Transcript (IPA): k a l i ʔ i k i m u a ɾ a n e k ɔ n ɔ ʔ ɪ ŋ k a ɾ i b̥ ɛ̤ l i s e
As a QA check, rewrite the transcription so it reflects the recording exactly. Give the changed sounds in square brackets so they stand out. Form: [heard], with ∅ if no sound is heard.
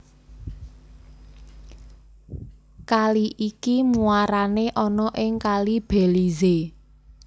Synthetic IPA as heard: k a l i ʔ i k i m u a ɾ a n e [ʔ] ɔ n ɔ ʔ ɪ ŋ k a [l] i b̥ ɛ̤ l i [z] e